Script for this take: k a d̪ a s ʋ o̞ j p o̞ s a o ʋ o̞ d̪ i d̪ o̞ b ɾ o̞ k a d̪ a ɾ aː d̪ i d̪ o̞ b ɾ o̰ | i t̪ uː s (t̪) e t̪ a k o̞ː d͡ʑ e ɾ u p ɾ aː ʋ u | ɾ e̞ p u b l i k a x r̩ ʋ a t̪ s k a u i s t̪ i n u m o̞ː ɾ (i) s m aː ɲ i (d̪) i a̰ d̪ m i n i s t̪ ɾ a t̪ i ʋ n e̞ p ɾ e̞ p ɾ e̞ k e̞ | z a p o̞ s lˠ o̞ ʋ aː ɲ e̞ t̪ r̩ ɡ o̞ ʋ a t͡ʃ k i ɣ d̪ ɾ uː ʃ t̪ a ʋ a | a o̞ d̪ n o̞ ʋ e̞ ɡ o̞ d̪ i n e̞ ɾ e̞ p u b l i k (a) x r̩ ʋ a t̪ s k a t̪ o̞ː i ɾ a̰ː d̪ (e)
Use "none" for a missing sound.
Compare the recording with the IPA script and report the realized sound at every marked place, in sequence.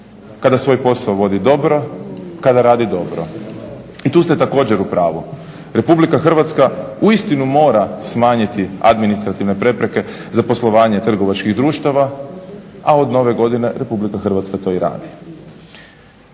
t̪, a, t̪, a, i

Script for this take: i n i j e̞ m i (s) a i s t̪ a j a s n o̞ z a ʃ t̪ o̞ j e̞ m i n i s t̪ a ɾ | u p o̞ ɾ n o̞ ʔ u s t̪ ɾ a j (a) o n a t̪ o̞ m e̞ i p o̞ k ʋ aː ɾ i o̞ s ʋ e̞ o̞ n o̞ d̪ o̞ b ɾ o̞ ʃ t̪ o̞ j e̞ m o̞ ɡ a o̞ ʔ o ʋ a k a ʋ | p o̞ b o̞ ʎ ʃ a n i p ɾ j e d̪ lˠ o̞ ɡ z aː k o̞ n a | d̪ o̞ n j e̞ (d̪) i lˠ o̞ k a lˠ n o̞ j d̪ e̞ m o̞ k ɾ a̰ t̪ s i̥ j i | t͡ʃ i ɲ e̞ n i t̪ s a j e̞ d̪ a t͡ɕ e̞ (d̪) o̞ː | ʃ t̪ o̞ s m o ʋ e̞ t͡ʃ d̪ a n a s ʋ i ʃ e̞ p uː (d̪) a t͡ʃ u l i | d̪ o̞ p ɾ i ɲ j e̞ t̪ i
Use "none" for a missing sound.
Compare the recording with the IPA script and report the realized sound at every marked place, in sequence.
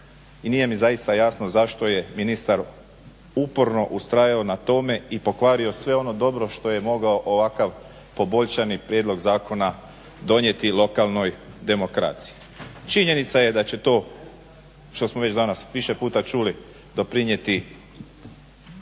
z, a, t̪, t̪, t̪

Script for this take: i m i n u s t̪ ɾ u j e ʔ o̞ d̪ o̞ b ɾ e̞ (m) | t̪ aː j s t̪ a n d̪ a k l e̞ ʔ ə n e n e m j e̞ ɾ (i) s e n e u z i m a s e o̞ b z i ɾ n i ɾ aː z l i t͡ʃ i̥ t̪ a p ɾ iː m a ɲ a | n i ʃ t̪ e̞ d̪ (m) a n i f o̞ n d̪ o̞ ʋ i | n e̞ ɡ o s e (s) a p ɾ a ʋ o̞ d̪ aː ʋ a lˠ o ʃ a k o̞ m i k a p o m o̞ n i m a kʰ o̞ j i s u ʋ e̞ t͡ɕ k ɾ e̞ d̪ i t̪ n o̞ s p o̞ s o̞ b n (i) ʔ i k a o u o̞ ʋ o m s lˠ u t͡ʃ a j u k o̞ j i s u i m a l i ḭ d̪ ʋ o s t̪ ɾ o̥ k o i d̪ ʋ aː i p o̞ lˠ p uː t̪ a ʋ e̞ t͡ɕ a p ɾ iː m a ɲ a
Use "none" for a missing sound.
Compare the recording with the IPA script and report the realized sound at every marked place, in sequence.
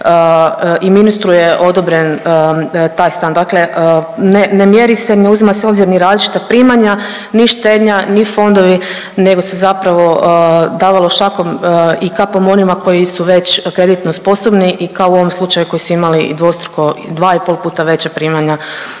n, i, ɲ, z, i

